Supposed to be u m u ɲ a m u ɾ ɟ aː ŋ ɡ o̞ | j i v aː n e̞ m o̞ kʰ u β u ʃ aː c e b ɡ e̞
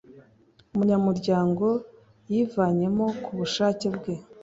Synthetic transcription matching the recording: u m u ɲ a m u ɾ ɟ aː ŋ ɡ o̞ | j i v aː ɲ e̞ m o̞ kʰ u β u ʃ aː c e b ɡ e̞